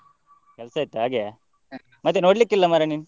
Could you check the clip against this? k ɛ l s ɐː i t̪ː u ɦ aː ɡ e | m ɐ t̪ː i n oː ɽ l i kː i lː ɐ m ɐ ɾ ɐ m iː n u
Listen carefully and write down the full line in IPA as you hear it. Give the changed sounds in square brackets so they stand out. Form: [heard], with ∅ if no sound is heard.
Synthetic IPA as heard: k ɛ l s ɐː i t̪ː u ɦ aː ɡ e | m ɐ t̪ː [e] n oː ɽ l i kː i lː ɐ m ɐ ɾ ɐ [n] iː n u